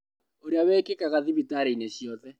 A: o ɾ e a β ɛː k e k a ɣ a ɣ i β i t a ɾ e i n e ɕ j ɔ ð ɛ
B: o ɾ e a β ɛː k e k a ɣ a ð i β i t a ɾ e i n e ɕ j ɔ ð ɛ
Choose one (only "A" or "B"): B